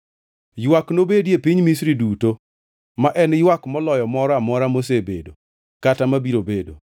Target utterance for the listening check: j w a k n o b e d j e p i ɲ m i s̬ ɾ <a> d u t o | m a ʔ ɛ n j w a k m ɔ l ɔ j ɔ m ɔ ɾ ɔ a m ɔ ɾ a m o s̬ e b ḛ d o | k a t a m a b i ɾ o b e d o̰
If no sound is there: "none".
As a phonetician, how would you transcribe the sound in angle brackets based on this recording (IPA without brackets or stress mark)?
i